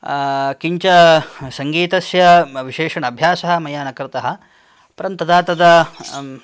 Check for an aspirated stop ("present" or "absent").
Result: absent